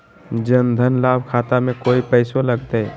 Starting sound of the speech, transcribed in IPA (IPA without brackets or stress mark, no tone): d͡ʒ